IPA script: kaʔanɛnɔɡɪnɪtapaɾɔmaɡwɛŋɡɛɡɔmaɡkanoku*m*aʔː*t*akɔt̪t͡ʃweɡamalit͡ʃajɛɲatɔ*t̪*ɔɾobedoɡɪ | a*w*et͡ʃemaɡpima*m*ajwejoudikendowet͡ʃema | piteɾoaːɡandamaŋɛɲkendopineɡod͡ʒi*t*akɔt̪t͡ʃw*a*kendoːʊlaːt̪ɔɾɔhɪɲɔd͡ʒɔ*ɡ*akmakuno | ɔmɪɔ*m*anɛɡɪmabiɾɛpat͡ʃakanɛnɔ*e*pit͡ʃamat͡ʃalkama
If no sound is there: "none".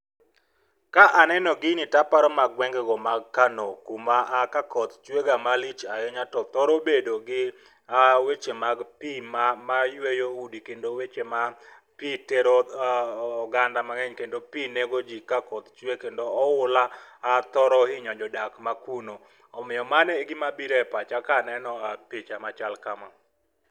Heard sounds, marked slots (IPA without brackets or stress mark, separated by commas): m, k, t̪, w, m, k, e, d, m, a